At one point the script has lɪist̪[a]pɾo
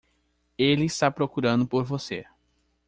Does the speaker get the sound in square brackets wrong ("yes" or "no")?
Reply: no